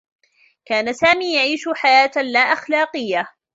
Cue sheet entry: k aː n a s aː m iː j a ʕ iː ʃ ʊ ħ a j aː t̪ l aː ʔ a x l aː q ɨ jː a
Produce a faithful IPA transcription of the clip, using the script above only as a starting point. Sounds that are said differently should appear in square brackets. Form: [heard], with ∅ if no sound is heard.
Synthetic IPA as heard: k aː n a s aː m iː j a ʕ iː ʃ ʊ ħ a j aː t̪ l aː ʔ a x l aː q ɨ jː a